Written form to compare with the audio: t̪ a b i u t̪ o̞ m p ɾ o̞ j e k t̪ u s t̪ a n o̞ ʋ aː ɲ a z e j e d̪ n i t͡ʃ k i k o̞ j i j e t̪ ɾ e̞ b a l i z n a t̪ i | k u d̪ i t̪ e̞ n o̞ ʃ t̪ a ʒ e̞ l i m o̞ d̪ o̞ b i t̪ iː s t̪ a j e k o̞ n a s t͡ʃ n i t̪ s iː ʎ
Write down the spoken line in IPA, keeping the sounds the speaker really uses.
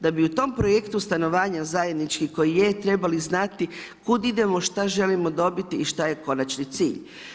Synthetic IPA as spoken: d̪ a b i u t̪ o̞ m p ɾ o̞ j e k t̪ u s t̪ a n o̞ ʋ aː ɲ a z a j e d̪ n i t͡ʃ k i k o̞ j i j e t̪ ɾ e̞ b a l i z n a t̪ i | k u d̪ i d̪ e̞ m o̞ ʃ t̪ a ʒ e̞ l i m o̞ d̪ o̞ b i t̪ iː ʃ t̪ a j e k o̞ n a t͡ʃ n i t̪ s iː ʎ